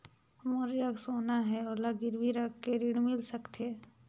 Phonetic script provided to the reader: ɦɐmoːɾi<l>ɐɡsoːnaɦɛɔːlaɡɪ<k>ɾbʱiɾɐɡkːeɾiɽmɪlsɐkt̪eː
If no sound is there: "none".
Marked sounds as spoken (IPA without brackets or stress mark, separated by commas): ɾ, none